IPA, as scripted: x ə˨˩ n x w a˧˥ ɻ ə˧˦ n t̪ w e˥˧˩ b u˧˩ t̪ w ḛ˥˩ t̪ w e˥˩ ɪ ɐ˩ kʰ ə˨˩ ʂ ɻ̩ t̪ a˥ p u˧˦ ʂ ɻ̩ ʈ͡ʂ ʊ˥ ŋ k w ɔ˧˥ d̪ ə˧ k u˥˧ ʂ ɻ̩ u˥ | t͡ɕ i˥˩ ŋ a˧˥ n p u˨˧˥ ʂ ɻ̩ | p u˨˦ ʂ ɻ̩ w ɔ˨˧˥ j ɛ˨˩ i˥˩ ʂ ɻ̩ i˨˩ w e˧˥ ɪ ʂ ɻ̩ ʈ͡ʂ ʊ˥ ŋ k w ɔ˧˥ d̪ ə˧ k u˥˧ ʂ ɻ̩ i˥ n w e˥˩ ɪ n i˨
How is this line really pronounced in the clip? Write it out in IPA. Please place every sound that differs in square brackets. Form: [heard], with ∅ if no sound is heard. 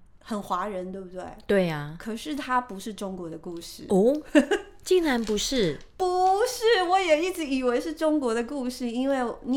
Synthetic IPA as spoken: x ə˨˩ n x w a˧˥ ɻ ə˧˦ n t̪ w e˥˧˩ b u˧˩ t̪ w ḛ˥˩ t̪ w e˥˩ ɪ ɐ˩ kʰ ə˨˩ ʂ ɻ̩ [t̪ʰ] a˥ p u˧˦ ʂ ɻ̩ ʈ͡ʂ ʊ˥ ŋ k w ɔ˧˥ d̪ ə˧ k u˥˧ ʂ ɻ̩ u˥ | t͡ɕ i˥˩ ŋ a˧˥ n p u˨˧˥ ʂ ɻ̩ | p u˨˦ ʂ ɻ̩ w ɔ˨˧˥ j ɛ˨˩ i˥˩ [ʈ͡ʂ] ɻ̩ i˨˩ w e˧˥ ɪ ʂ ɻ̩ ʈ͡ʂ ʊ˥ ŋ k w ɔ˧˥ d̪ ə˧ k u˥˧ ʂ ɻ̩ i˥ n w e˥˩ ɪ n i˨